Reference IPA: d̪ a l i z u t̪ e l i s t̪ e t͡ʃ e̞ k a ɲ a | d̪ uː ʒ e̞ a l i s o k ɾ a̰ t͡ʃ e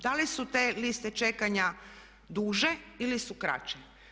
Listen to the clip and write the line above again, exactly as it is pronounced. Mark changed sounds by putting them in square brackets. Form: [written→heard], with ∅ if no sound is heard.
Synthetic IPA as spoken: d̪ a l i [z→s] u t̪ e l i s t̪ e t͡ʃ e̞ k a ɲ a | d̪ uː ʒ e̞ [a→i] l i s [o→u] k ɾ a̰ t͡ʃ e

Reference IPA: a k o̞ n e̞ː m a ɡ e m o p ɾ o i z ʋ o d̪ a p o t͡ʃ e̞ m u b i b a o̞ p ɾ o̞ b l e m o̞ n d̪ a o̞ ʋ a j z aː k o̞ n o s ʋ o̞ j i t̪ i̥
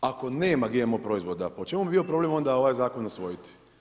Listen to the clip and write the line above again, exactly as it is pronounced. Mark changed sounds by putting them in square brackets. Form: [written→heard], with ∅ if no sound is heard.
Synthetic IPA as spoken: a k o̞ n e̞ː m a ɡ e m o p ɾ o i z ʋ o d̪ a p o t͡ʃ e̞ m u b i b [a→i] o̞ p ɾ o̞ b l e m o̞ n d̪ a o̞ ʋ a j z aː k o̞ n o s ʋ o̞ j i t̪ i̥

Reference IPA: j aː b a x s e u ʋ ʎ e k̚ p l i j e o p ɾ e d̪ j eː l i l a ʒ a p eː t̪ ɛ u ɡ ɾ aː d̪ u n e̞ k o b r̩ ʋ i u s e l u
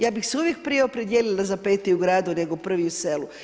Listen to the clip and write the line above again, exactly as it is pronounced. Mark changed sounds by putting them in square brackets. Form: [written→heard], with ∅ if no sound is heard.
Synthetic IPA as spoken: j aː b [a→i] x s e u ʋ [ʎ→j] e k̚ p [l→ɾ] i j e o p ɾ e d̪ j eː l i l a [ʒ→z] a p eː t̪ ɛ u ɡ ɾ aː d̪ u n e̞ [k→ɡ] o [b→p] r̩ ʋ i u s e l u

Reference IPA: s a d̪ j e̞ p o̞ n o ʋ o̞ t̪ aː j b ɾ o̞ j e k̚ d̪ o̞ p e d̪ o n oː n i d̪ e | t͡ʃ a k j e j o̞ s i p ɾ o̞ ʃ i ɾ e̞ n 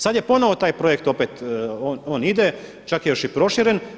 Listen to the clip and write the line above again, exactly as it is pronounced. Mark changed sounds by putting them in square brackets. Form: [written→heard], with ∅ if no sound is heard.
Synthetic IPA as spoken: s a d̪ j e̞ p o̞ n o ʋ o̞ t̪ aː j [b→p] ɾ o̞ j e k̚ [d̪→t̪] o̞ p e [d̪→t̪] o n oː n i d̪ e | t͡ʃ a k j e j o̞ [s→ʃ] i p ɾ o̞ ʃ i ɾ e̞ n

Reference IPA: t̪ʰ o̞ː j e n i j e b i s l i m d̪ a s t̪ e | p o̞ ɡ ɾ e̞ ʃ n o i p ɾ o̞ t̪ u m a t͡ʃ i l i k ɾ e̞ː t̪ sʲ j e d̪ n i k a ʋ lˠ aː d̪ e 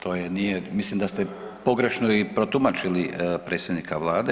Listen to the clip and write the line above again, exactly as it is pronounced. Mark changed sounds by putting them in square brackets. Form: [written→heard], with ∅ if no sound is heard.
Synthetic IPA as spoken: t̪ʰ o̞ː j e n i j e [b→m] i s l i m d̪ a s t̪ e | p o̞ ɡ ɾ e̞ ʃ n o i p ɾ o̞ t̪ u m a t͡ʃ i l i [k→p] ɾ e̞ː t̪ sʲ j e d̪ n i k a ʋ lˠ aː d̪ e

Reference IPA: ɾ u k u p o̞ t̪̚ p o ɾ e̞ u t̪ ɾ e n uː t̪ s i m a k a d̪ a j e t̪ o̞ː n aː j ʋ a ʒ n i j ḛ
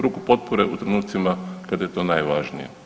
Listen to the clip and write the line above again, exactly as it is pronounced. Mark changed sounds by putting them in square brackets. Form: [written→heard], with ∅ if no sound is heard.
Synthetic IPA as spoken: ɾ u k u p o̞ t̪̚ p o ɾ e̞ u t̪ ɾ e n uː t̪ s i m a k a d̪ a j e t̪ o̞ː n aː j ʋ a ʒ n i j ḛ

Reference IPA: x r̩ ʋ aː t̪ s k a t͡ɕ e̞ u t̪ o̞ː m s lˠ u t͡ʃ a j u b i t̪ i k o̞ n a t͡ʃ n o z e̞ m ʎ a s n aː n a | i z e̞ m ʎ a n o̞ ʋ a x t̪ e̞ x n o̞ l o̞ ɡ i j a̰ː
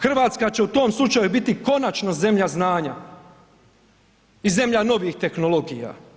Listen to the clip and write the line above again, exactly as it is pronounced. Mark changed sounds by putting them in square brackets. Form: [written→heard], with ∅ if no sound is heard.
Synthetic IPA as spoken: x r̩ ʋ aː t̪ s k a t͡ɕ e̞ u t̪ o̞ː m s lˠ u t͡ʃ a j u b i t̪ i k o̞ n a t͡ʃ n o z e̞ m ʎ a [s→z] n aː [n→ɲ] a | i z e̞ m ʎ a n o̞ ʋ [a→i] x t̪ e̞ x n o̞ l o̞ ɡ i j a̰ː

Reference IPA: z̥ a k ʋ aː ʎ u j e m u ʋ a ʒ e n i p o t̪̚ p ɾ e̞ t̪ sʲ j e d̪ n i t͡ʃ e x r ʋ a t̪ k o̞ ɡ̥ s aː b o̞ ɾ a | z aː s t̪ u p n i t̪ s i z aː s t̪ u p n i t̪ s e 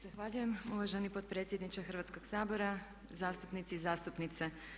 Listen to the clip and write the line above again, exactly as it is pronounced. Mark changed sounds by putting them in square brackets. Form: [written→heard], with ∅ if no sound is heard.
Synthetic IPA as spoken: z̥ a [k→x] ʋ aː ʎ u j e m u ʋ a ʒ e n i p o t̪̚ p ɾ e̞ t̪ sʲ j e d̪ n i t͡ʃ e x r ʋ a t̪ k o̞ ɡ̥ s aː b o̞ ɾ a | z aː s t̪ u p n i t̪ s i z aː s t̪ u p n i t̪ s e

